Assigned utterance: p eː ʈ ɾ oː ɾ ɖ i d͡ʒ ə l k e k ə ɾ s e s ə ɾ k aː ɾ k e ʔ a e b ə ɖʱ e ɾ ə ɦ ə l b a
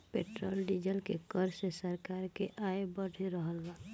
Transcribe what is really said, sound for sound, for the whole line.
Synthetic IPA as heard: p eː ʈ ɾ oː l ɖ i d͡ʒ ə l k e k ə ɾ s e s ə ɾ k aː ɾ k e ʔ a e b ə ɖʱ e ɾ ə ɦ ə l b a